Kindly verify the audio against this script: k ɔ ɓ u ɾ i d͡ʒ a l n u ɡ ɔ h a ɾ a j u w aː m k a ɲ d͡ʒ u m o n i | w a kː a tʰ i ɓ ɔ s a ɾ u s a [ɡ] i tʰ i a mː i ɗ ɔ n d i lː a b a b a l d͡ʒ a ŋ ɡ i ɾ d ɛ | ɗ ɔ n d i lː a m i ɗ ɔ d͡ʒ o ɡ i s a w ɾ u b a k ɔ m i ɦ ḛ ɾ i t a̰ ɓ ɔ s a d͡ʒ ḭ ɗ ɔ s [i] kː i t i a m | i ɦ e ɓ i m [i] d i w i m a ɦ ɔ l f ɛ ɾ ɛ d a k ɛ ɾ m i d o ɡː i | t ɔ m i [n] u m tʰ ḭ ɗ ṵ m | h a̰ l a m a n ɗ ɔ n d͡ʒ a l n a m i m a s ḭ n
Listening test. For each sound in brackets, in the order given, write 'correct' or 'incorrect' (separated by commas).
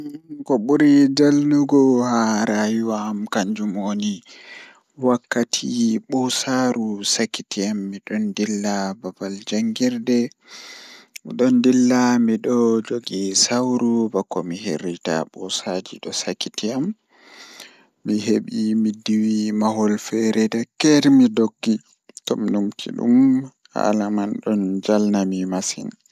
incorrect, incorrect, correct, correct